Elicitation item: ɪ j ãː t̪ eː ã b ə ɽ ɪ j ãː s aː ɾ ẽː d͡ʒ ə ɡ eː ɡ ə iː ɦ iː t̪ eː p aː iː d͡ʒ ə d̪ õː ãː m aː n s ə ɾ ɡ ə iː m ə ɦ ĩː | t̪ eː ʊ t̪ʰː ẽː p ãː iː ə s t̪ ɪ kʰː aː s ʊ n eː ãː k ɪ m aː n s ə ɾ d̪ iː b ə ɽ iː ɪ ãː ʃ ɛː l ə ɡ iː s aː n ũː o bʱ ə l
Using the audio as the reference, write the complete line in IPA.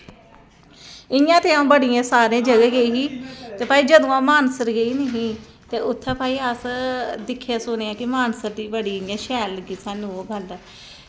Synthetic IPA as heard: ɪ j ãː t̪ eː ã b ə ɽ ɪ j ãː s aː ɾ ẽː d͡ʒ ə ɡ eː ɡ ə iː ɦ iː t̪ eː p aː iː d͡ʒ ə d̪ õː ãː m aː n s ə ɾ ɡ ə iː n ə ɦ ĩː | t̪ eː ʊ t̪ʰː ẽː p aː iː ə s d̪ ɪ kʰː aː s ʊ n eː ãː k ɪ m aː n s ə ɾ d̪ iː b ə ɽ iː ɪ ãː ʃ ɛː l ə ɡ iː s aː n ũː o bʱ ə l